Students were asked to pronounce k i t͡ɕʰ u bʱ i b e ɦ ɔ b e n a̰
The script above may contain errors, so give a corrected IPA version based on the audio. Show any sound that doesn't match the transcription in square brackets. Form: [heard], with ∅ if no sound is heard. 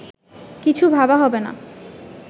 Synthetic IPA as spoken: k i t͡ɕʰ u bʱ [a] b [a] ɦ ɔ b e n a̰